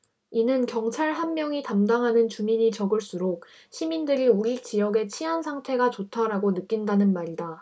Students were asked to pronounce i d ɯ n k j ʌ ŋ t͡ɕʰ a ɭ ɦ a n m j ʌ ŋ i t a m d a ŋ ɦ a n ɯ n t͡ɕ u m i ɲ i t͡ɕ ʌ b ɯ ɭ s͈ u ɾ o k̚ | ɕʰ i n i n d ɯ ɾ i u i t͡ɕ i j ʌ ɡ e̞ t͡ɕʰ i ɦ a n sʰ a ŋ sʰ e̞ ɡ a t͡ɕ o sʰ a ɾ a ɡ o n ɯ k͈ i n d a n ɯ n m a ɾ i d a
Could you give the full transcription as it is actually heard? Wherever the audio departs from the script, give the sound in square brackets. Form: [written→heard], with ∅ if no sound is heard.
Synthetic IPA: i [d→n] ɯ n k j ʌ ŋ t͡ɕʰ a ɭ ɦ a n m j ʌ ŋ i t a m d a ŋ ɦ a n ɯ n t͡ɕ u m i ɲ i t͡ɕ ʌ [b→ɡ] ɯ ɭ s͈ u ɾ o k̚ | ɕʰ i [n→m] i n d ɯ ɾ i u i t͡ɕ i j ʌ ɡ e̞ t͡ɕʰ i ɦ a n sʰ a ŋ [sʰ→tʰ] e̞ ɡ a t͡ɕ o [sʰ→tʰ] a ɾ a ɡ o n ɯ k͈ i n d a n ɯ n m a ɾ i d a